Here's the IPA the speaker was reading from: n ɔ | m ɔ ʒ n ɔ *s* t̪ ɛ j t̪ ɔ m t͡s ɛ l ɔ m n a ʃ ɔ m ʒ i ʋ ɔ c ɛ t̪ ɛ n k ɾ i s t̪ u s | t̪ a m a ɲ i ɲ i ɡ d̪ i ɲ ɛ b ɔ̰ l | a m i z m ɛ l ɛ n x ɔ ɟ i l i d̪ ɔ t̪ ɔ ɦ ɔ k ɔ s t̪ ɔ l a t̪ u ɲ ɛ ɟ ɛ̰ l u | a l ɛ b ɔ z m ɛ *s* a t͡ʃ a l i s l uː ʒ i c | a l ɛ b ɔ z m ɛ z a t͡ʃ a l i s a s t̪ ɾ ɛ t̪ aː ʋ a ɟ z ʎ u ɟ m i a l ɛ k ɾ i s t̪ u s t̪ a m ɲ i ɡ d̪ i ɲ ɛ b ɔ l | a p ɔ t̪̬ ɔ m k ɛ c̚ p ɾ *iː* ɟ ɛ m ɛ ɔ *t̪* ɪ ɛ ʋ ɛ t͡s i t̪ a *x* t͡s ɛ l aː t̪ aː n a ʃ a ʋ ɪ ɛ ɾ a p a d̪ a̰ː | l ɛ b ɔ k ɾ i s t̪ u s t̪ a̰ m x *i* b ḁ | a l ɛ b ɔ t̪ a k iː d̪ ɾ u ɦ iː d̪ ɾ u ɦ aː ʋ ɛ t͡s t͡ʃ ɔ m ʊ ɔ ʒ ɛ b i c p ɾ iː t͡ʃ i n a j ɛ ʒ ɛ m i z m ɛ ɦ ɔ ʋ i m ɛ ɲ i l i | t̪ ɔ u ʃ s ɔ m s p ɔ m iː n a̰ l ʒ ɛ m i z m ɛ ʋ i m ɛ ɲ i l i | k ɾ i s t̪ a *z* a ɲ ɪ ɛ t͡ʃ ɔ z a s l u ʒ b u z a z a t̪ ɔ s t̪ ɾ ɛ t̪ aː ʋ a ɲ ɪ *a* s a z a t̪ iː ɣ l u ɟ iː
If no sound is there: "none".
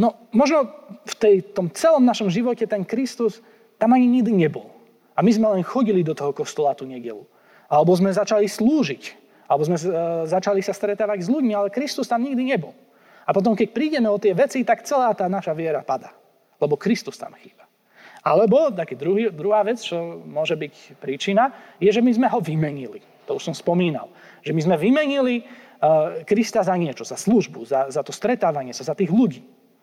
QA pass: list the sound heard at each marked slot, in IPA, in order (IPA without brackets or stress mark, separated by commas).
f, z, iː, t̪, k, iː, z, ɛ